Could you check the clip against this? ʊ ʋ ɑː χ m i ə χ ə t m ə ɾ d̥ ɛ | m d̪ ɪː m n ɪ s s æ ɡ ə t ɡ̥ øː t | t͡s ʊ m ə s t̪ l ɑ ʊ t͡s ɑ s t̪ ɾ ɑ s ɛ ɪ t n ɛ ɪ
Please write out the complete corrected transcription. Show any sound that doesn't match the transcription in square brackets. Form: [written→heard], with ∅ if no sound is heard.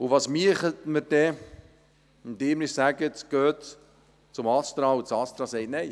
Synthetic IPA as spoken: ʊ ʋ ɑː [χ→s] m i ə χ ə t m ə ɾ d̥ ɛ | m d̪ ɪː m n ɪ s s æ ɡ ə t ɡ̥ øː t | t͡s ʊ m [ə→ɑ] s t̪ [l→ɾ] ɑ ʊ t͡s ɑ s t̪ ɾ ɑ s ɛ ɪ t n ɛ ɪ